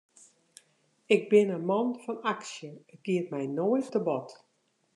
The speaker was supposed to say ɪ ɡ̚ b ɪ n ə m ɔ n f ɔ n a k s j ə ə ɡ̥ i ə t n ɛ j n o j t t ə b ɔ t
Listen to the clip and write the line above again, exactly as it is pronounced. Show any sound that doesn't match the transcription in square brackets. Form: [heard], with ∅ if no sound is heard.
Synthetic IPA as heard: ɪ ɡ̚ b ɪ n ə m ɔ n f ɔ n a k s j ə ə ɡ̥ i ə t [m] ɛ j n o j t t ə b ɔ t